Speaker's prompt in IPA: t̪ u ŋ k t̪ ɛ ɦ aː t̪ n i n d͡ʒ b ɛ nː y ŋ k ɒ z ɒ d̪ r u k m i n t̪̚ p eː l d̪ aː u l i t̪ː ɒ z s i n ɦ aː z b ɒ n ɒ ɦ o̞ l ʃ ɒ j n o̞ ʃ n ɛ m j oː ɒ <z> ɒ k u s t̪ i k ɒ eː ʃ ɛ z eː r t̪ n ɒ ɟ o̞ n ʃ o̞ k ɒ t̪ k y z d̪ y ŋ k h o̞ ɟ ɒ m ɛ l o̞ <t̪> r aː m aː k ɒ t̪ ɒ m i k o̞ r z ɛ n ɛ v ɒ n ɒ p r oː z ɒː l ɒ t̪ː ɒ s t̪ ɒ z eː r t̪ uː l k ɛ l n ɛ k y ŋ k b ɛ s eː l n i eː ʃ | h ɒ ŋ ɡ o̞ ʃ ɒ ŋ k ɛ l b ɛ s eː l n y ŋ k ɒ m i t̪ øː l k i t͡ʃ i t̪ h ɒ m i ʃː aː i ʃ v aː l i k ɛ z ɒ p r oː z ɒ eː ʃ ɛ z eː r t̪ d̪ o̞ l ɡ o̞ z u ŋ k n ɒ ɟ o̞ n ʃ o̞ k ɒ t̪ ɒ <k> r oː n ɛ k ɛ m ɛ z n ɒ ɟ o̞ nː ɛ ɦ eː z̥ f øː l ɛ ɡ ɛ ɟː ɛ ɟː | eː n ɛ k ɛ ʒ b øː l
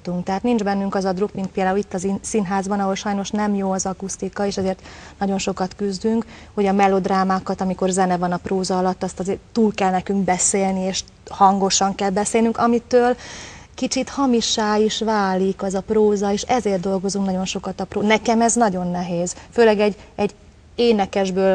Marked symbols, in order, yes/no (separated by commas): yes, no, no